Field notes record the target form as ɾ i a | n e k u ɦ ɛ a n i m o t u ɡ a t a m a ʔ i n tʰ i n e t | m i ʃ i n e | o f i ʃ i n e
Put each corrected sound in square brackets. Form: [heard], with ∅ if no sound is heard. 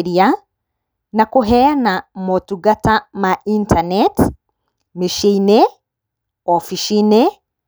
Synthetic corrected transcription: ɾ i a | n [a] k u ɦ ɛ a n [a] m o t u ɡ a t a m a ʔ i n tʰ [a] n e t | m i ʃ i n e | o f i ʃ i n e